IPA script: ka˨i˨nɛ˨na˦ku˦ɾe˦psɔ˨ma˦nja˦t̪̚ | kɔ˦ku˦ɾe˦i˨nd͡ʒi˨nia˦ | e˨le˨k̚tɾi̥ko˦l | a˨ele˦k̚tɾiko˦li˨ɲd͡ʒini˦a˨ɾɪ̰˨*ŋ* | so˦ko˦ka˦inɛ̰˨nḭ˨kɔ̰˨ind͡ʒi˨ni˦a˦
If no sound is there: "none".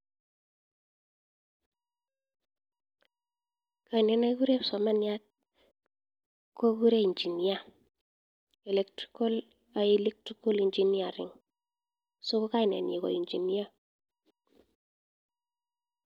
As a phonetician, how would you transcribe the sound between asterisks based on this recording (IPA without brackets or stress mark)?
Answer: ŋ